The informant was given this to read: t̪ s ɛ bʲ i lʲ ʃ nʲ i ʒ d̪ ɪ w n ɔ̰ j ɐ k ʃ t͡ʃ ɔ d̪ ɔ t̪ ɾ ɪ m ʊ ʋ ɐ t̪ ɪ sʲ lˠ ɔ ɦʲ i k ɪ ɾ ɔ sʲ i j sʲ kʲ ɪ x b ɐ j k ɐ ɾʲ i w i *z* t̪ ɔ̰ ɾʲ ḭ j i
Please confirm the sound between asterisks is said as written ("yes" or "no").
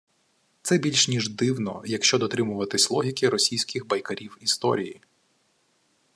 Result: no